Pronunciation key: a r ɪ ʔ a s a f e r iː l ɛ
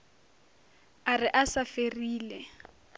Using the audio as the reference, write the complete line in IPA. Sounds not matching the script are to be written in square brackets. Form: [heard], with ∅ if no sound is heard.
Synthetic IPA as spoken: a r ɪ ʔ a s a f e r iː l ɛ